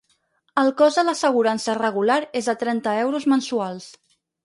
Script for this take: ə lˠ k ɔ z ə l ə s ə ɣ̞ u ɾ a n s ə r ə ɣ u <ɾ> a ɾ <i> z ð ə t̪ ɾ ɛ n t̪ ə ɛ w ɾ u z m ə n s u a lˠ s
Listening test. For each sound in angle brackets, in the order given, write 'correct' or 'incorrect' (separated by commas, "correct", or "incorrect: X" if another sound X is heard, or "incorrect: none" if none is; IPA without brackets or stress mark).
incorrect: l, incorrect: e